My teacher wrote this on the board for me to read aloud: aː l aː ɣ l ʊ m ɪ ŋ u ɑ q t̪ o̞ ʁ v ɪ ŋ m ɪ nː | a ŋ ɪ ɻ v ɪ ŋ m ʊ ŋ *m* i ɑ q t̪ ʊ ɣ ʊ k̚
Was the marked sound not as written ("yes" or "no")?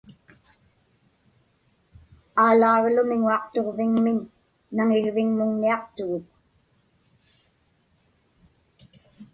yes